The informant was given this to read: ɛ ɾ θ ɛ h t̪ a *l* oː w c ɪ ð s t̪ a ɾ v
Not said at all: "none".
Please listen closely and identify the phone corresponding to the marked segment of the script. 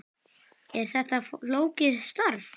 l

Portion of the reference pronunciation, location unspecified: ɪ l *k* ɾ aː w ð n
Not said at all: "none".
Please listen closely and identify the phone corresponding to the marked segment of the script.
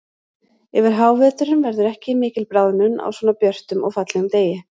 p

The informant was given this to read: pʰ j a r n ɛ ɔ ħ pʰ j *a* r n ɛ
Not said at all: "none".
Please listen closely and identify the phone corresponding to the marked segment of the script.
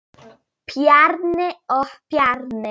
a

